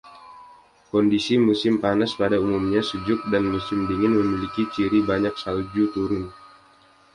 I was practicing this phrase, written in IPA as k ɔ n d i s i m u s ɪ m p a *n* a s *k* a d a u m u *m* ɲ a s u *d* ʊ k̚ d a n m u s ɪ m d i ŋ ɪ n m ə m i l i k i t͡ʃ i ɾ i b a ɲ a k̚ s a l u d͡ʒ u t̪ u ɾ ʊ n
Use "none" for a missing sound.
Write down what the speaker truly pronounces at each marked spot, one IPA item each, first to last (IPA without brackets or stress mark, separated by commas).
n, p, m, d͡ʒ